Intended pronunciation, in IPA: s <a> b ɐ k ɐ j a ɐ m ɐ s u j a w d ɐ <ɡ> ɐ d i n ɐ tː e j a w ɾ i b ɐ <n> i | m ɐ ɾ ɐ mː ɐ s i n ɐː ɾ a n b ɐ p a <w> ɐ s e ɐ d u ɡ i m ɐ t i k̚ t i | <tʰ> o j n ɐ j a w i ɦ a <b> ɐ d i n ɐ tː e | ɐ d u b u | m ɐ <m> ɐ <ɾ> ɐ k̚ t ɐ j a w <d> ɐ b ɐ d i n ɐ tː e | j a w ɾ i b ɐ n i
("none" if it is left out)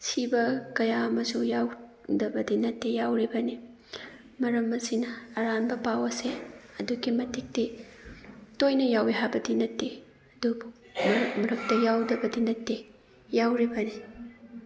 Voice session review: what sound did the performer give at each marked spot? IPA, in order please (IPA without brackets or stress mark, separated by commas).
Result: i, b, n, w, t, b, m, ɾ, d